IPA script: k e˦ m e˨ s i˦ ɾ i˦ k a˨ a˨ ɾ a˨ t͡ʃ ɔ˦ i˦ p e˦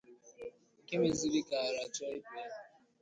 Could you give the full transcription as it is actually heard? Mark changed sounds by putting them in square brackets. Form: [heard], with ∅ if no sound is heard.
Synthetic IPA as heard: k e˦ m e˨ [z] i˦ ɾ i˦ k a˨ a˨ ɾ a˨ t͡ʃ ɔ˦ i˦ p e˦